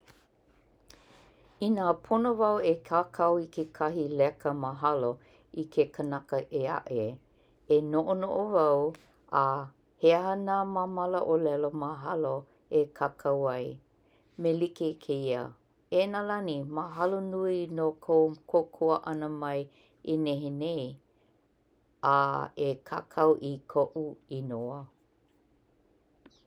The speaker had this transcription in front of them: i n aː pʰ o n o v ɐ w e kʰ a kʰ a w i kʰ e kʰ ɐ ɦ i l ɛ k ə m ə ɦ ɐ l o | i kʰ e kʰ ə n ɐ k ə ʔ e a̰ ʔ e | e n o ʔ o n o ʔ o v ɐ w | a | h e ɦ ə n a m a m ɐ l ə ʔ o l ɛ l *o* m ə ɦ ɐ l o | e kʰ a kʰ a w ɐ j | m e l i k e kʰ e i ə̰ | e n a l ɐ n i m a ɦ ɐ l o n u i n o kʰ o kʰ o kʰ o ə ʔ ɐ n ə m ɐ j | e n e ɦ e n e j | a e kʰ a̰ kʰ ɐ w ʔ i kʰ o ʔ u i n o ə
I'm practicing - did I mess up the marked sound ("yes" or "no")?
no